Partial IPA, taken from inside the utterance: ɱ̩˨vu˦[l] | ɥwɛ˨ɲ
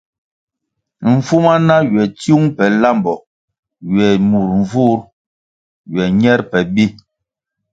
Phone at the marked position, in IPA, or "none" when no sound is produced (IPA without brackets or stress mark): ɾ